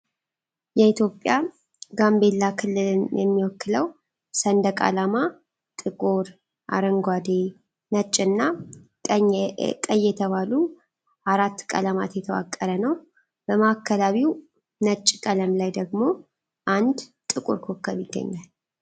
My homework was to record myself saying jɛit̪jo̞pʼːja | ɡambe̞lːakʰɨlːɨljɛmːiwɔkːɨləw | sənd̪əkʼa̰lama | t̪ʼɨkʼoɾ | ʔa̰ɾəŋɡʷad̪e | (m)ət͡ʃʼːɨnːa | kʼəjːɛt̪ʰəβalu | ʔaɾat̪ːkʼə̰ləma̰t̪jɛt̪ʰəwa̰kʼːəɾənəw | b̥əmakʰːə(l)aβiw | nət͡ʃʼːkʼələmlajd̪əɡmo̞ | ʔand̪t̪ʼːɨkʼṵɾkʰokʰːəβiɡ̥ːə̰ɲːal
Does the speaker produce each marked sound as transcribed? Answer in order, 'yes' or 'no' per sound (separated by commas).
no, yes